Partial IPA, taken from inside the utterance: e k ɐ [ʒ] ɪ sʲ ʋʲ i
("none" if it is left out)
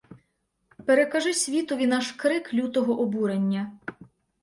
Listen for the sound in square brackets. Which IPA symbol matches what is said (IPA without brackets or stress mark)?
ʒ